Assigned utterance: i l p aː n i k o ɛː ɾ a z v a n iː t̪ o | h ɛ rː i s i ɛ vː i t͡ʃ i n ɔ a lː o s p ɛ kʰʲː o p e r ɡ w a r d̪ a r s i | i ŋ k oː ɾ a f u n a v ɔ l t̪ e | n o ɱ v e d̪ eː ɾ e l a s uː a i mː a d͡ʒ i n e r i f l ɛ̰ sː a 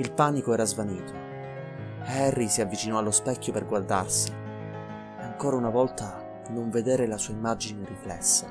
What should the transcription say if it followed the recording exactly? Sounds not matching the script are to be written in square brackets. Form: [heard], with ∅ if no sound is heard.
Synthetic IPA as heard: i l p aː n i k o ɛː ɾ a z v a n iː t̪ o | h ɛ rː i s i [a] vː i t͡ʃ i n ɔ a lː o s p ɛ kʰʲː o p e r ɡ w a r d̪ a r s i | [a] ŋ k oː ɾ a [∅] u n a v ɔ l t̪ [a] | n o ɱ v e d̪ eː ɾ e l a s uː a i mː a d͡ʒ i n e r i f l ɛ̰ sː a